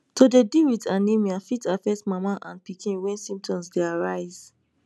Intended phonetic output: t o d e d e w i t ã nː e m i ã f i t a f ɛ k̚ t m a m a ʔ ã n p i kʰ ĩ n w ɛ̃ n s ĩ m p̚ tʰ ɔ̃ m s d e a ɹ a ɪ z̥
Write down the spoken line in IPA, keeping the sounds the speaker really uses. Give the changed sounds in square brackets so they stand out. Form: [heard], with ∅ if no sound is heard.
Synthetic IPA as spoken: t o d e d [i] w i t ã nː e m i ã f i t a f ɛ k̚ t m a m a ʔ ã n p i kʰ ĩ n w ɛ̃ n s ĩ m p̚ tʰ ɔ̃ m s d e a ɹ a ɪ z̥